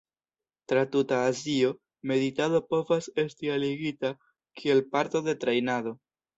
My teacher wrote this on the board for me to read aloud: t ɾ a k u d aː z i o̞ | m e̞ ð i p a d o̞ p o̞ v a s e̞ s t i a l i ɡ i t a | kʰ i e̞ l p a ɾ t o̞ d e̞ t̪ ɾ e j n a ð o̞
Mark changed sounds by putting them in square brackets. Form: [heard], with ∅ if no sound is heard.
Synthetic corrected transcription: t ɾ a [t] u [t] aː z i o̞ | m e̞ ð i [t] a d o̞ p o̞ v a s e̞ s t i a l i ɡ i t a | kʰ i e̞ l p a ɾ t o̞ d e̞ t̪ ɾ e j n a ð o̞